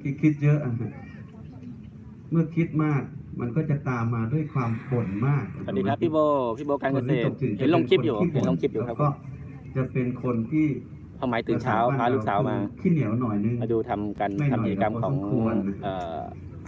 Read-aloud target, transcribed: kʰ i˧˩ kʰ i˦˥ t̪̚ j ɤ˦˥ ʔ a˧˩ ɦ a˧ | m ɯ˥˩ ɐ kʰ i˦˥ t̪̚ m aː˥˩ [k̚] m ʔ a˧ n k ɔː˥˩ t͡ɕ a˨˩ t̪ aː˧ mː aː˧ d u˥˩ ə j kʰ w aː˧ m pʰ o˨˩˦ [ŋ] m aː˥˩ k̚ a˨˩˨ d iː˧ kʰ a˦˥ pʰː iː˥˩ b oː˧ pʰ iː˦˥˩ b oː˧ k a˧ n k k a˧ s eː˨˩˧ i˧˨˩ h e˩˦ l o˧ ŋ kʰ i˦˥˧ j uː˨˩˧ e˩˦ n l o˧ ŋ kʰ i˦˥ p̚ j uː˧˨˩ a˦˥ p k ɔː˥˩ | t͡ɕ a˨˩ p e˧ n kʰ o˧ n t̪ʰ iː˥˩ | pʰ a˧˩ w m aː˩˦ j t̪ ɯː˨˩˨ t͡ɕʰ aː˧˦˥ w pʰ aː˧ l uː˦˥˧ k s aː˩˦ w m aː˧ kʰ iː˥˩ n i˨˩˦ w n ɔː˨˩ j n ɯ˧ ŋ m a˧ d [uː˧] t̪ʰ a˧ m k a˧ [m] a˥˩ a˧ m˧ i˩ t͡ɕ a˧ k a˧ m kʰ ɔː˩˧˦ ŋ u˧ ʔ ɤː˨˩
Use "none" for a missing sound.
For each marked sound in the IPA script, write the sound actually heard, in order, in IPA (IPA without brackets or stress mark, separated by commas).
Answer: k̚, n, uː˧, n